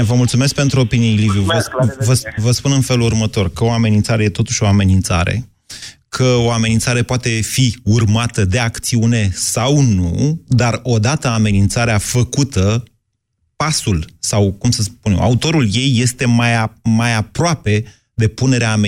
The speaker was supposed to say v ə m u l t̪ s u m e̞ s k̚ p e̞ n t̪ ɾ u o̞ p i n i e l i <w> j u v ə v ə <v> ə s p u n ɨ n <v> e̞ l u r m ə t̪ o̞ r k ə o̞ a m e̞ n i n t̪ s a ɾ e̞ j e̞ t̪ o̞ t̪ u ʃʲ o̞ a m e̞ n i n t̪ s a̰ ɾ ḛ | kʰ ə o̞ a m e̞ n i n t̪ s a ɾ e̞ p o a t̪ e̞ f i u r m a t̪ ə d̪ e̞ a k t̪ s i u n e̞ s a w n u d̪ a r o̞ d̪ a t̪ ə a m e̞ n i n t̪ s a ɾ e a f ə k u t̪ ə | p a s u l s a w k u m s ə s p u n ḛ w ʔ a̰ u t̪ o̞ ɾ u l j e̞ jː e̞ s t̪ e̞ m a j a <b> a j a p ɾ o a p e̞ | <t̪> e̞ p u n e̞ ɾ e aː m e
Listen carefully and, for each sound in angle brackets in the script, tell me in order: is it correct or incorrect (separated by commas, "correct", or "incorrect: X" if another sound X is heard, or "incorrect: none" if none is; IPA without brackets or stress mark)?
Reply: incorrect: v, correct, incorrect: f, incorrect: m, incorrect: d̪